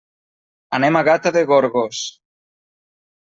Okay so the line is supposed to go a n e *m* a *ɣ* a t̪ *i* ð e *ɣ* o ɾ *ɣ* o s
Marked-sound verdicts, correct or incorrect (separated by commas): correct, correct, incorrect, correct, correct